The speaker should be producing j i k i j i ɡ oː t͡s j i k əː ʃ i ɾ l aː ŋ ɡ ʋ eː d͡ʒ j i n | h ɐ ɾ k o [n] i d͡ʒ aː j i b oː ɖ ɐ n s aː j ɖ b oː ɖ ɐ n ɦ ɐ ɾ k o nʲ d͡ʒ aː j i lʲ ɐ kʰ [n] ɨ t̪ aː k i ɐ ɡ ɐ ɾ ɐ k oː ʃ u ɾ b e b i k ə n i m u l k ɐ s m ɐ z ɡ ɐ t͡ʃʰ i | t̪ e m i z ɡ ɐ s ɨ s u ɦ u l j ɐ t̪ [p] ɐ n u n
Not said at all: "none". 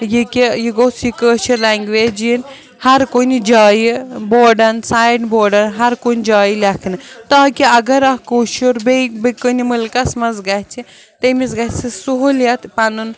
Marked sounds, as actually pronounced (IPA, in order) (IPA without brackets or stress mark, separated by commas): n, n, p